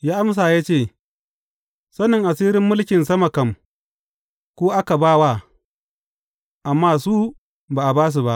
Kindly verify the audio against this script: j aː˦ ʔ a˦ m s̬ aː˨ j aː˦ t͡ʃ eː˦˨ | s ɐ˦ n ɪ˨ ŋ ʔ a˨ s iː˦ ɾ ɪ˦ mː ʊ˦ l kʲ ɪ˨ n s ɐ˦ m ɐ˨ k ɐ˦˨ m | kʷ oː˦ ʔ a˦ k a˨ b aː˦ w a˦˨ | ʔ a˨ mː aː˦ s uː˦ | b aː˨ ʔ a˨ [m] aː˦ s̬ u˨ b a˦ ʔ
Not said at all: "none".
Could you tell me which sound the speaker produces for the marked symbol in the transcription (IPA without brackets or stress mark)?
b